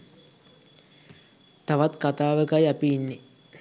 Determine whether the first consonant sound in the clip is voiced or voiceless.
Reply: voiceless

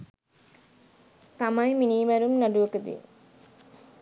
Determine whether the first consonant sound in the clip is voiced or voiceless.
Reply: voiceless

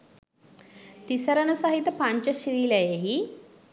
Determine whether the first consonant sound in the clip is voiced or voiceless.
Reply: voiceless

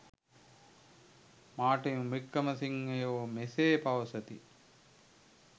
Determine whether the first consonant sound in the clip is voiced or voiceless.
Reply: voiced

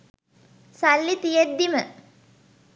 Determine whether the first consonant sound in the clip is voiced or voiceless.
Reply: voiceless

